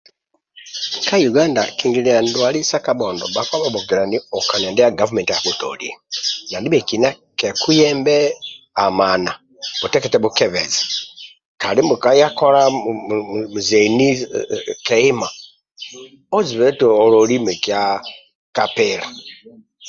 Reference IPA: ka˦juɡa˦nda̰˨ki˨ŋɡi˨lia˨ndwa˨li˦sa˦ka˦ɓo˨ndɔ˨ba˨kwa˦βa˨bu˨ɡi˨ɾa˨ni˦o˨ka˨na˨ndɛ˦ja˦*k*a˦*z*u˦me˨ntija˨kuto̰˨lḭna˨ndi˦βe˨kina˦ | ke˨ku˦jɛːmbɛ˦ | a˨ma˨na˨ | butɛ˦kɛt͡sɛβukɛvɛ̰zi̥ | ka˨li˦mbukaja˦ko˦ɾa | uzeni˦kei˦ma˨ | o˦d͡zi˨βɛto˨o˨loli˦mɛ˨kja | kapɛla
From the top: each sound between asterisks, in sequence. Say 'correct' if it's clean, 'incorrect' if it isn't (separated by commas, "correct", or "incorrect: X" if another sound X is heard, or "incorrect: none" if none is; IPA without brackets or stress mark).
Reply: incorrect: ɡ, incorrect: v